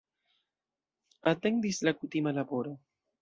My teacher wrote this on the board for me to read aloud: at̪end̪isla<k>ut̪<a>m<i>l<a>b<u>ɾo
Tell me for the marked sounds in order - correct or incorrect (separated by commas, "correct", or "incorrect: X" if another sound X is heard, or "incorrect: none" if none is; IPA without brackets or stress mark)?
correct, incorrect: i, incorrect: a, correct, incorrect: o